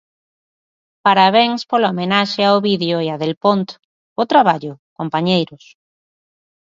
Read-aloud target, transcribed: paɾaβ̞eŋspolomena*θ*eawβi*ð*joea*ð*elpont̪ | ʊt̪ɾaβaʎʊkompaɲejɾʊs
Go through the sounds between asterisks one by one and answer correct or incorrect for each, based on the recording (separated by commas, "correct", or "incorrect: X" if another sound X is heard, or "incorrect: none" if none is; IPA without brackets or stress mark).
incorrect: ʃ, correct, correct